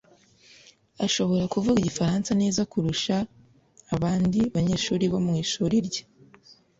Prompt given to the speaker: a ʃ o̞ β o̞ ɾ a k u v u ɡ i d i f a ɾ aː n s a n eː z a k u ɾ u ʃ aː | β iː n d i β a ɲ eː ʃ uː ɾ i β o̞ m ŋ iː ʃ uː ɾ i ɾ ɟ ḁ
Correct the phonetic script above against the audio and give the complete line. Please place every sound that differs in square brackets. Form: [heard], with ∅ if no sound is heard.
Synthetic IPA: a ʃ o̞ β o̞ ɾ a k u v u ɡ i [ɟ] i f a ɾ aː n s a n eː z a k u ɾ u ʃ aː | β [aː] n d i β a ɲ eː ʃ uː ɾ i β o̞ m ŋ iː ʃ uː ɾ i ɾ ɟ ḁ